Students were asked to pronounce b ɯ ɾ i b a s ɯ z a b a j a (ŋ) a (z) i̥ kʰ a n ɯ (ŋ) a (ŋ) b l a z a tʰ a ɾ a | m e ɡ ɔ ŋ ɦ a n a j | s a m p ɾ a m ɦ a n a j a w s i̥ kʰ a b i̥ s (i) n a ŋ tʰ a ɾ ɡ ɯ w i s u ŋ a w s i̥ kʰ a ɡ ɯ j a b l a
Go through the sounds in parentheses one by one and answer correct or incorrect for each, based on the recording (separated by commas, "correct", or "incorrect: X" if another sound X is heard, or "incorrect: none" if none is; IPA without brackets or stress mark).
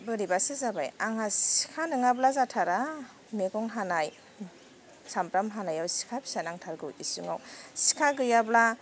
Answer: correct, incorrect: s, correct, incorrect: none, incorrect: a